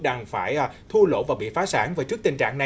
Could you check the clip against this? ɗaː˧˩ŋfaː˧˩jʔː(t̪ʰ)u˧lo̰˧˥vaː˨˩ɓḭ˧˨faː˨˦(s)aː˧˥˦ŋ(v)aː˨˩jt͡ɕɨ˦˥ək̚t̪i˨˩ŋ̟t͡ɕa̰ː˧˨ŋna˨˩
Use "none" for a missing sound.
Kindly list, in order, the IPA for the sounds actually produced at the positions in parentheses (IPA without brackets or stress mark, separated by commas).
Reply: t̪ʰ, s, v